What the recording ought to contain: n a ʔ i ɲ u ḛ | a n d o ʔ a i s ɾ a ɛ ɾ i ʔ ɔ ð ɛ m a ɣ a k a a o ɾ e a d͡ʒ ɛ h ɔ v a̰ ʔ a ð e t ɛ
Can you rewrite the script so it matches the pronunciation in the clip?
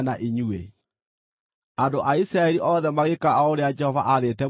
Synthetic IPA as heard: n a ʔ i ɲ u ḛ | a n d o ʔ a i s ɾ a ɛ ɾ i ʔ ɔ ð ɛ m a ɣ e k a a o ɾ e a d͡ʒ ɛ h ɔ v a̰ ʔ a ð e t ɛ

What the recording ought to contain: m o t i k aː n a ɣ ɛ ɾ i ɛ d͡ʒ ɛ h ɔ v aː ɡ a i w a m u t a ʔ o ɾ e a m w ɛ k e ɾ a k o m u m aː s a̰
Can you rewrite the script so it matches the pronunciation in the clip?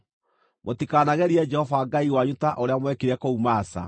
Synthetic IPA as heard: m o t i k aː n a ɣ ɛ ɾ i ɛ d͡ʒ ɛ h ɔ v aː ɡ a i w a ɲ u t a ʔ o ɾ e a m w ɛ k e ɾ ɛ k o u m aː s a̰

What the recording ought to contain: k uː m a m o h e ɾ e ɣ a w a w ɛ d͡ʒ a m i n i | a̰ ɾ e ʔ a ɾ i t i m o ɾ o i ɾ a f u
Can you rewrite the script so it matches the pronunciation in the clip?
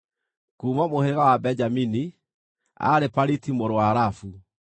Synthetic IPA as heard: k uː m a m o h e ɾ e ɣ a w a b ɛ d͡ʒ a m i n i | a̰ ɾ e p a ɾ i t i m o ɾ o a ɾ a f u

